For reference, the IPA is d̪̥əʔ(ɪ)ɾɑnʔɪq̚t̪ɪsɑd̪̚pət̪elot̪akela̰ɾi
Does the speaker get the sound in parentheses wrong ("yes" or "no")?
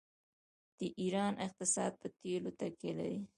yes